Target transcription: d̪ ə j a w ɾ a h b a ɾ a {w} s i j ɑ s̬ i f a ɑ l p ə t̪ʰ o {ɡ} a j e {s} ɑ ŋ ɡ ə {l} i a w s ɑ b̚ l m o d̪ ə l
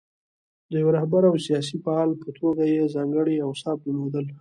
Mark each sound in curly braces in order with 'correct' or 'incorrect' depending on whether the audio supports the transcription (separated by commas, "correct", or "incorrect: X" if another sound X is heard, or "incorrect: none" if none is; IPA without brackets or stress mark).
correct, correct, incorrect: z, incorrect: ɽ